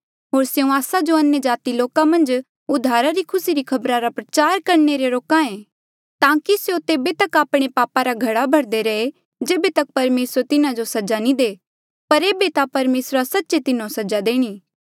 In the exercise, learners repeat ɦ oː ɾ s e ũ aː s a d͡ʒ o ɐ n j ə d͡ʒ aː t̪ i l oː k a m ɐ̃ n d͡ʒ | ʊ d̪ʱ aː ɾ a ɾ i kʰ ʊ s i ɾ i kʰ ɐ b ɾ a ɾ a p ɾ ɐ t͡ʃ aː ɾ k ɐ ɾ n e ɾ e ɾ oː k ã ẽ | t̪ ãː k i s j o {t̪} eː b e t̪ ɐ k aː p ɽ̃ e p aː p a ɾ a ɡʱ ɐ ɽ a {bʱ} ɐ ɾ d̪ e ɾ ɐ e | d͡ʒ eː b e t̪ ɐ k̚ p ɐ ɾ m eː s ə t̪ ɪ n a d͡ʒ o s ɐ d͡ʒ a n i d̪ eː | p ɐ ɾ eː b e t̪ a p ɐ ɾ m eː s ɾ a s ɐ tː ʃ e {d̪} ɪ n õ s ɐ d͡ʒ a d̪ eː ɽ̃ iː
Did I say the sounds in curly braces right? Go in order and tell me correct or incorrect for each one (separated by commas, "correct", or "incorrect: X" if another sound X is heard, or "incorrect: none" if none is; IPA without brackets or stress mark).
correct, correct, incorrect: t̪